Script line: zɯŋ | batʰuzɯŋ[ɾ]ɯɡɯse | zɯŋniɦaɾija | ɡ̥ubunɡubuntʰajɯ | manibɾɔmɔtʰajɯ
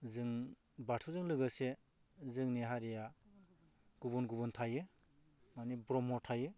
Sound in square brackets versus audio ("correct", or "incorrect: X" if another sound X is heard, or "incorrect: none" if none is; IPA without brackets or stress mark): incorrect: l